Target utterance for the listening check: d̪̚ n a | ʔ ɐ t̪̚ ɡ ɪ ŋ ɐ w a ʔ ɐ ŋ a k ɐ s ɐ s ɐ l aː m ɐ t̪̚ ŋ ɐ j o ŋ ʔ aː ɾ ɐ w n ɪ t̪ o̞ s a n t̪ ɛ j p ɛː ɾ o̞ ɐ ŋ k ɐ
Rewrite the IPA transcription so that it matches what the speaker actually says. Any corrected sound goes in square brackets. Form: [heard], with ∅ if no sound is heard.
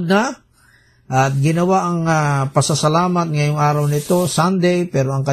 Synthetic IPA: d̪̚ n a | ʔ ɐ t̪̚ ɡ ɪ [n] ɐ w a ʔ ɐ ŋ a [p] ɐ s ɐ s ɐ l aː m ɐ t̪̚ ŋ ɐ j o ŋ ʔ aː ɾ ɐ w n ɪ t̪ o̞ s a n [d̪] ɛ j p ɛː ɾ o̞ ɐ ŋ k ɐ